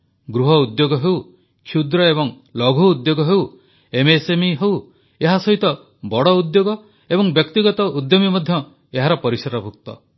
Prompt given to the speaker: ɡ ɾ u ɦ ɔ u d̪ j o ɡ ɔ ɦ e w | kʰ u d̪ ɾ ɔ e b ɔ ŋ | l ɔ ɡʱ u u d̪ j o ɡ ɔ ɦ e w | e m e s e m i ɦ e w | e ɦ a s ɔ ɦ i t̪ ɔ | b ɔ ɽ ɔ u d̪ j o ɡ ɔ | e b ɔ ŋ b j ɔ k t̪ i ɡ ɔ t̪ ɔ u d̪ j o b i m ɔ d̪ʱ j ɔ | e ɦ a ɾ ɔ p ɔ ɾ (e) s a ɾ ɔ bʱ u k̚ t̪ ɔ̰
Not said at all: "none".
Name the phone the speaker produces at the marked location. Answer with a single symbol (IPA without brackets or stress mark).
i